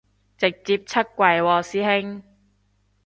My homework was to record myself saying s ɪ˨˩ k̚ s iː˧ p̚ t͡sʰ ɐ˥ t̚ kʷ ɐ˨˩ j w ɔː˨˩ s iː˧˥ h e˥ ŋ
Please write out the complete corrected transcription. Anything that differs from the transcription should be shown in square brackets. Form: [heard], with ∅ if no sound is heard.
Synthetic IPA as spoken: [t͡s] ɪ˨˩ k̚ [t͡s] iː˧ p̚ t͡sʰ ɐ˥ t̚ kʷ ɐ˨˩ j w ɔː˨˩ s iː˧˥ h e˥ ŋ